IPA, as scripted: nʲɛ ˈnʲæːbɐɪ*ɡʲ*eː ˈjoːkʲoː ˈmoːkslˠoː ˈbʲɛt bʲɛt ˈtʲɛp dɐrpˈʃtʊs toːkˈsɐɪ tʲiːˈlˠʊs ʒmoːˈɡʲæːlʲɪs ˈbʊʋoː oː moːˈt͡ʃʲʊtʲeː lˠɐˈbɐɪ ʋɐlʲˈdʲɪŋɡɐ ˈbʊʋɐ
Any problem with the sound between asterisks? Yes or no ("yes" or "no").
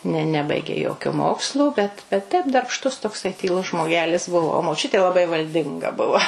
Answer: no